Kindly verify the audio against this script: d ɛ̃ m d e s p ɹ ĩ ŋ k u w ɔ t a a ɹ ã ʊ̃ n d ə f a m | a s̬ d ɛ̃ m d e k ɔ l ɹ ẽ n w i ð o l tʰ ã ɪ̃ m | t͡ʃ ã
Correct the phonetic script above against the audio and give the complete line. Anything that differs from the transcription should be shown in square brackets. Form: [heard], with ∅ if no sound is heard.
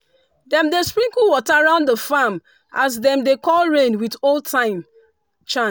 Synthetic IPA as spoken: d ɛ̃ m d e s p ɹ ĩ ŋ k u w ɔ t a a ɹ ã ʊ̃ n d ə f a m | a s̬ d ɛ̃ m d e k ɔ l ɹ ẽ n w i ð o l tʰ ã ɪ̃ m | t͡ʃ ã